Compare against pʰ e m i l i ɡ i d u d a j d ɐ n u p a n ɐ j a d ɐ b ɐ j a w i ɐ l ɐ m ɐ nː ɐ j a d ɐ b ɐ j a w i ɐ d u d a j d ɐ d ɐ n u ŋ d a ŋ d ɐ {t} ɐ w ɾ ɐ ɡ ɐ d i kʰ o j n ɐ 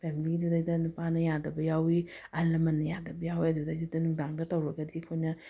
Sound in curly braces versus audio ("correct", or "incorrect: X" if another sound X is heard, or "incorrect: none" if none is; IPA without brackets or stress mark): correct